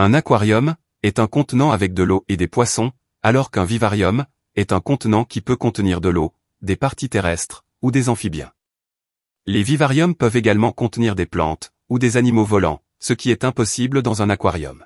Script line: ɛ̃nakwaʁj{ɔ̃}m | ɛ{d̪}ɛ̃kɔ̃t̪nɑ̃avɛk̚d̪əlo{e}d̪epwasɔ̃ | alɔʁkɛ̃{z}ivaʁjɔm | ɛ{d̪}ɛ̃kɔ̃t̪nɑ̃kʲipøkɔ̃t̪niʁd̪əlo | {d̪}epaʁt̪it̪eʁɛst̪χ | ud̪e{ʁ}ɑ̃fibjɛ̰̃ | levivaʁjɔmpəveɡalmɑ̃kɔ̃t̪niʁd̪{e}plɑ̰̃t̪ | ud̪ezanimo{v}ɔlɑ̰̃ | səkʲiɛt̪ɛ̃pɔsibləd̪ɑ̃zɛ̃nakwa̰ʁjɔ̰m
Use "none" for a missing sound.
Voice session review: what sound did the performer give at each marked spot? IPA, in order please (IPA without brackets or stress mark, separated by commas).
ɔ, t̪, e, v, t̪, d̪, z, e, v